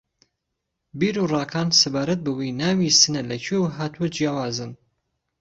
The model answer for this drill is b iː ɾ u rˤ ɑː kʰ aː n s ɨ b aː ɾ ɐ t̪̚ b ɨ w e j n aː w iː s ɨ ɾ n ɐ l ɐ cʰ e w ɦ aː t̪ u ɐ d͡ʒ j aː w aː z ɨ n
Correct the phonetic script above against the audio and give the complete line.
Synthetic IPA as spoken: b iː ɾ u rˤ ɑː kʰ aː n s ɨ b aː ɾ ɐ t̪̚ b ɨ w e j n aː w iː s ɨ n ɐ l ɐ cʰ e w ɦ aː t̪ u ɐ d͡ʒ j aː w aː z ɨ n